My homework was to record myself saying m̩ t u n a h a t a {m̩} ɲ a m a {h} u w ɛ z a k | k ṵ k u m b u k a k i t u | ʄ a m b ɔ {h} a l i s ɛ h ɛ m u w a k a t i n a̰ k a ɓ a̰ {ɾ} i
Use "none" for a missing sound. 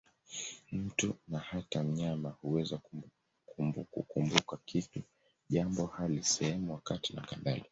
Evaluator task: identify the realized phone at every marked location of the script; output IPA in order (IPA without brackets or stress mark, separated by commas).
m̩, h, h, l